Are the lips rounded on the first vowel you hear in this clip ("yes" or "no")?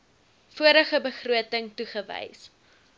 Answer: yes